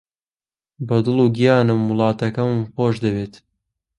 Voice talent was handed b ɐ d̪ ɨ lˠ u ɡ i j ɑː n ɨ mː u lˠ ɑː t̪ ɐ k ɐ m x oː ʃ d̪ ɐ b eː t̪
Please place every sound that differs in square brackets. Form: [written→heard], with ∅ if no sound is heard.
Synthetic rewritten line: b ɐ d̪ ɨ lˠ u ɡ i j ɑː n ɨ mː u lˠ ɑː t̪ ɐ k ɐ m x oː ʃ d̪ ɐ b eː t̪